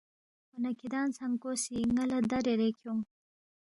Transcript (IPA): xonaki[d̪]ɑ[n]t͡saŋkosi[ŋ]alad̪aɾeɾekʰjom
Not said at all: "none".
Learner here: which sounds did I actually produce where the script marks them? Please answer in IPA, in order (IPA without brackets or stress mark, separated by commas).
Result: d̪, n, ŋ